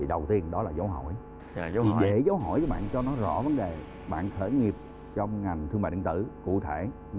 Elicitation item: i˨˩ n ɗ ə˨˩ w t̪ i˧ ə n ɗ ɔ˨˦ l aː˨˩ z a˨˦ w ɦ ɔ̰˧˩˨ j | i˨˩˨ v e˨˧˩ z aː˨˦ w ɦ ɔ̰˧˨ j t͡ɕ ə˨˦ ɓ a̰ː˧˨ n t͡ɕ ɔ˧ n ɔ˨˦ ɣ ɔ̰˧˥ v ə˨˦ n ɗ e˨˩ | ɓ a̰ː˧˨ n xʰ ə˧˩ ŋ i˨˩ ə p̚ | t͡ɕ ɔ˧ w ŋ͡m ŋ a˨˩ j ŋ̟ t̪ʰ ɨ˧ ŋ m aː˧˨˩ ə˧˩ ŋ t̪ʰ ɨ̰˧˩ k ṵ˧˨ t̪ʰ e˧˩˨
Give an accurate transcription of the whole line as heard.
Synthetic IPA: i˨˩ ɗ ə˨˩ w t̪ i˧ ə n ɗ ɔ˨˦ l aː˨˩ z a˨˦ w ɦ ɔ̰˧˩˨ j | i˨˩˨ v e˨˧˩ z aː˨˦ w ɦ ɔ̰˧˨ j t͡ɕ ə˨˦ ɓ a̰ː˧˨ n t͡ɕ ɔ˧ n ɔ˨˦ z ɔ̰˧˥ v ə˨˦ n ɗ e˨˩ | ɓ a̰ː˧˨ n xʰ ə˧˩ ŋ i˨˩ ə p̚ | t͡ɕ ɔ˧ w ŋ͡m ŋ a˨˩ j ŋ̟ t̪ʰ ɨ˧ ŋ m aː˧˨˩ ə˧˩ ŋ t̪ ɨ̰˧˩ k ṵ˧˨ t̪ʰ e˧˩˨

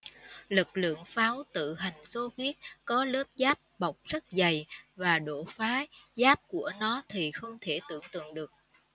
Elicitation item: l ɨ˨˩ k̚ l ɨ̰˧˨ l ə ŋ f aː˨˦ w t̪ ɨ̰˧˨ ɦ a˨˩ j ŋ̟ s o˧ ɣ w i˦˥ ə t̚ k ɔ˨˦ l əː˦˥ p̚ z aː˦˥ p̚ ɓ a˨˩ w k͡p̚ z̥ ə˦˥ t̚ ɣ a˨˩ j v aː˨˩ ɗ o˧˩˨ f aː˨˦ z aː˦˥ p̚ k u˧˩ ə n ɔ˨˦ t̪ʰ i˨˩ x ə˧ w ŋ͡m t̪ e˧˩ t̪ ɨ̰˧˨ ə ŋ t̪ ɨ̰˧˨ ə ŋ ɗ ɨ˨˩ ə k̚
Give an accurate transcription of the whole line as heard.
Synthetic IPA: l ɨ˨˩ k̚ l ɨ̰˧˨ ə ŋ f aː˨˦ w t̪ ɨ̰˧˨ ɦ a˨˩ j ŋ̟ s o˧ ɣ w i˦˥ ə t̚ k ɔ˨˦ l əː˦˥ p̚ z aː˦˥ p̚ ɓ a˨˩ w k͡p̚ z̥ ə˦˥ t̚ z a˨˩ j v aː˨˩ ɗ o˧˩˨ f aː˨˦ z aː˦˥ p̚ k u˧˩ ə n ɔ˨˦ t̪ʰ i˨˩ x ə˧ w ŋ͡m t̪ʰ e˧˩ t̪ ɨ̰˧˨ ə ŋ t̪ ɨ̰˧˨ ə ŋ ɗ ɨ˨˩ ə k̚

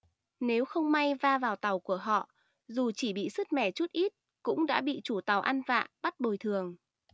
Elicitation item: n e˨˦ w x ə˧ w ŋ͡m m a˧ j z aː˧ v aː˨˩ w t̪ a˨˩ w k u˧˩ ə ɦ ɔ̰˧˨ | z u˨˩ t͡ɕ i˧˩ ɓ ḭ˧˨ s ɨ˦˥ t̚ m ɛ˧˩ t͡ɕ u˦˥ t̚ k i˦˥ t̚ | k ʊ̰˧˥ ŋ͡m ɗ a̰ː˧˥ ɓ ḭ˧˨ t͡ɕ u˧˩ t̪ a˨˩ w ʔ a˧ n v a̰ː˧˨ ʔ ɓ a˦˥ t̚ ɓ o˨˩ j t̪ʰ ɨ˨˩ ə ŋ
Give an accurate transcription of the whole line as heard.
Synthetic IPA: n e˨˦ w x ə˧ w ŋ͡m m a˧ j v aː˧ v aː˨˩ w t̪ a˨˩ w k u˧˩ ə ɦ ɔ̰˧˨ | z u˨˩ t͡ɕ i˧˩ ɓ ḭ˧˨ s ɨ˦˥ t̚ m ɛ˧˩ t͡ɕ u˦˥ t̚ ʔ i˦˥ t̚ | k ʊ̰˧˥ ŋ͡m ɗ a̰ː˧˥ ɓ ḭ˧˨ t͡ɕ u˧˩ t̪ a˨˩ w ʔ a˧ n v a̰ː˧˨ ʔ ɓ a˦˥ t̚ ɓ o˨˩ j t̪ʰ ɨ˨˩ ə ŋ

